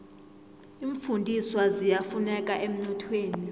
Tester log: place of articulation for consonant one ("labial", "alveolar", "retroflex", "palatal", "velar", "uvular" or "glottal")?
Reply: labial